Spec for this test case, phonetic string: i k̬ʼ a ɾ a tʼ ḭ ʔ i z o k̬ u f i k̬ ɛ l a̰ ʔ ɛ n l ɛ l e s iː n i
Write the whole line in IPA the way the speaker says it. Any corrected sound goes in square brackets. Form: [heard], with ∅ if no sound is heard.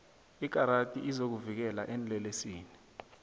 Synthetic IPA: i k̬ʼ a ɾ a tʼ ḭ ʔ i z o k̬ u [v] i k̬ ɛ l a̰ ʔ ɛ n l ɛ l e s iː n i